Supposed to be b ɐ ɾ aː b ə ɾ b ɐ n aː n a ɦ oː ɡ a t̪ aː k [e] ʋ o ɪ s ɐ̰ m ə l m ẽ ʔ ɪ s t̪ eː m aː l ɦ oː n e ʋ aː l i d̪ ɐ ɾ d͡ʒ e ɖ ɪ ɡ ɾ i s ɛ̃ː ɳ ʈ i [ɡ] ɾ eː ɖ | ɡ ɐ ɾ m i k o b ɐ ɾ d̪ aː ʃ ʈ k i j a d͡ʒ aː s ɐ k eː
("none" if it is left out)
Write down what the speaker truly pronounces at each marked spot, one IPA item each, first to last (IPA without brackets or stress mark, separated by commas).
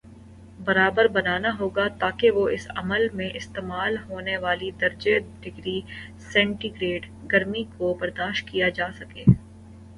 e, ɡ